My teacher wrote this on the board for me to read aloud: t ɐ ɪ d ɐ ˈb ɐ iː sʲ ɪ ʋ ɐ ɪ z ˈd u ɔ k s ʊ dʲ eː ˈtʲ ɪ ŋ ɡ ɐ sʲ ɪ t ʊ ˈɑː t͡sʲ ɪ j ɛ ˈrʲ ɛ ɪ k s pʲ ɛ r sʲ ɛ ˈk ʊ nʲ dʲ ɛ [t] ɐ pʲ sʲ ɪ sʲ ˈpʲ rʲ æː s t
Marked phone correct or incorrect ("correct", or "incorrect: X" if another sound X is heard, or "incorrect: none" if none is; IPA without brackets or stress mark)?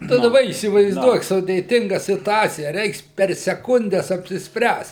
incorrect: s